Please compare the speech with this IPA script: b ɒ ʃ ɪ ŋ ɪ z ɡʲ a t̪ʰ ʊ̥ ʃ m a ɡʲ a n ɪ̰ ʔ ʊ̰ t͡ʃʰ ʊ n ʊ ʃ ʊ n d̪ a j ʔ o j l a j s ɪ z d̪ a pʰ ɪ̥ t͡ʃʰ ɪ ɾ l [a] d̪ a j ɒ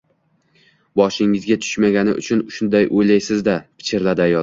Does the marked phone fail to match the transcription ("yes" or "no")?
no